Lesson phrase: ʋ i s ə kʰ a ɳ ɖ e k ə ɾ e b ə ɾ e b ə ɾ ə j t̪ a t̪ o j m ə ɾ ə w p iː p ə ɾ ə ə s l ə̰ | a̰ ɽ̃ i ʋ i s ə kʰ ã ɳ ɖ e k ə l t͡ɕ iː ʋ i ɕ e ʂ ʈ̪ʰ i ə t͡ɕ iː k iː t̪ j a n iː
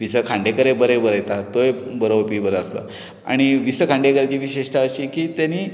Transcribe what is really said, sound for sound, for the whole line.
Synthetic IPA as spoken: ʋ i s ə kʰ a ɳ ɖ e k ə ɾ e b ə ɾ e b ə ɾ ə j t̪ a t̪ o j b ə ɾ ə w p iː b ə ɾ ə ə s l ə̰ | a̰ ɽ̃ i ʋ i s ə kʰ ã ɳ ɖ e k ə ɾ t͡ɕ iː ʋ i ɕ e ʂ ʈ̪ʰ a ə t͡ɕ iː k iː t̪ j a n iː